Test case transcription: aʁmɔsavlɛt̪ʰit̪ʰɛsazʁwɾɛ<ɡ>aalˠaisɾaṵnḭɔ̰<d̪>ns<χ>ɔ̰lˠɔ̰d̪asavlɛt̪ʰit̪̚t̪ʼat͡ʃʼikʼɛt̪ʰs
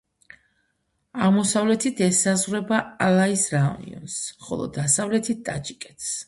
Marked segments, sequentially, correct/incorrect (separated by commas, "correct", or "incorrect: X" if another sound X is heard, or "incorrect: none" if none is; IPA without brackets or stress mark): incorrect: b, incorrect: none, correct